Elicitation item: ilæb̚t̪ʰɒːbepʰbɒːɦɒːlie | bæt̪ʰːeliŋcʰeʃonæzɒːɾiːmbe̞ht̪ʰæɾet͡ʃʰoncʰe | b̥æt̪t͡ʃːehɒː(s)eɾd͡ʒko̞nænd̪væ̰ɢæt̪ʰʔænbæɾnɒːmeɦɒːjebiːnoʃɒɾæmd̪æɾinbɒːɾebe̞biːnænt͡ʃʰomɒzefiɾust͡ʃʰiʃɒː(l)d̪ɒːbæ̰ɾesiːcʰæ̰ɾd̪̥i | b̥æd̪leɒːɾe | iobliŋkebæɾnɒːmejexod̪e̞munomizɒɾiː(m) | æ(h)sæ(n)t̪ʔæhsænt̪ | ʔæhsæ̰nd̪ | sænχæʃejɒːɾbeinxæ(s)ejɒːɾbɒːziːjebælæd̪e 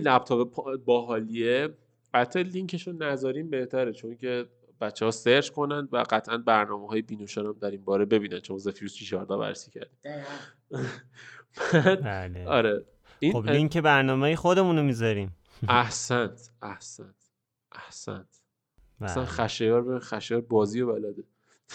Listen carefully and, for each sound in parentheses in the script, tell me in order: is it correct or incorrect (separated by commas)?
correct, incorrect, correct, correct, correct, incorrect